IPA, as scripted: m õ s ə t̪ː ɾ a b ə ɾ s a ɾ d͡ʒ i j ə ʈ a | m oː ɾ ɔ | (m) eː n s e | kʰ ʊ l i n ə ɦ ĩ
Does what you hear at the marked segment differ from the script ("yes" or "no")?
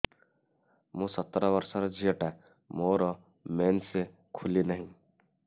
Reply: no